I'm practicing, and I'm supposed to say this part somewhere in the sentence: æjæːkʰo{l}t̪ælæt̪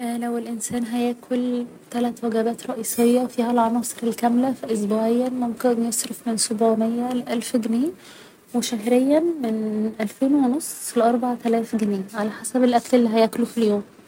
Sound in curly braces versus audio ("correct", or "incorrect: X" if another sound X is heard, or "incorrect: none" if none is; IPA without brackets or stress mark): correct